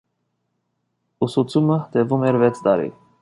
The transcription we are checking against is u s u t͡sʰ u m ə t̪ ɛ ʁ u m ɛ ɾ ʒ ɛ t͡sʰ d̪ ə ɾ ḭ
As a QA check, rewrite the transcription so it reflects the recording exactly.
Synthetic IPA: u s u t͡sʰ u m ə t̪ ɛ v u m ɛ ɾ v ɛ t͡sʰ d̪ ɑ ɾ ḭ